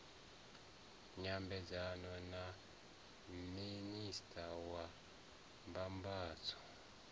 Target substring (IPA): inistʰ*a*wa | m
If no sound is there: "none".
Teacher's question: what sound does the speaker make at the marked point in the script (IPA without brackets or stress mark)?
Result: a